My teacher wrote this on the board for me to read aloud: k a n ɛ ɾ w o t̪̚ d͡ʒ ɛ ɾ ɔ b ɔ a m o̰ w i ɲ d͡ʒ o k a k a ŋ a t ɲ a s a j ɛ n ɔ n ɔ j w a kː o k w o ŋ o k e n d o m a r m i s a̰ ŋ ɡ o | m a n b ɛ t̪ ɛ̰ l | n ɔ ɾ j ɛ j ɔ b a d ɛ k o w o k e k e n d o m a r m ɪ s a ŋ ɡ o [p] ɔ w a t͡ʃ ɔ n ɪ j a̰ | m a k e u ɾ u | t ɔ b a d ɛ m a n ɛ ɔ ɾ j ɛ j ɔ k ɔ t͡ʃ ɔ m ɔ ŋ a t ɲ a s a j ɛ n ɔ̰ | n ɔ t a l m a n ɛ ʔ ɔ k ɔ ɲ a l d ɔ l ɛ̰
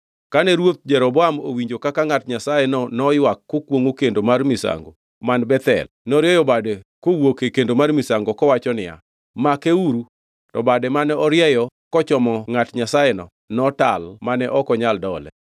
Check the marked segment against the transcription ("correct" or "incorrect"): incorrect